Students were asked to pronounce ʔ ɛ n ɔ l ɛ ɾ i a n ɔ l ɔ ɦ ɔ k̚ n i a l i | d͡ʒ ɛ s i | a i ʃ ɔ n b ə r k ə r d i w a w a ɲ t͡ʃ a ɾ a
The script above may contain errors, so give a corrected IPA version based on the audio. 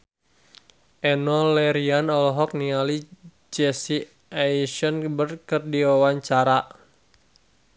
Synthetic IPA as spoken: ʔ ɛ n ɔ l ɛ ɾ i a n ɔ l ɔ ɦ ɔ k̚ n i a l i | d͡ʒ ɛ s i | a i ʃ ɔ n b ə r k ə r d i w a w a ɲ t͡ʃ a ɾ a